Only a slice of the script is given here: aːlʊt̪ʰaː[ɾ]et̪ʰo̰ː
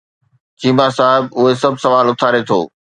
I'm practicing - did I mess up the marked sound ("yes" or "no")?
no